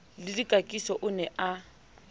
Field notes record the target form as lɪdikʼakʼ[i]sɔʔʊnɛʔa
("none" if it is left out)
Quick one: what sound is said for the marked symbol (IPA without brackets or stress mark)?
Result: i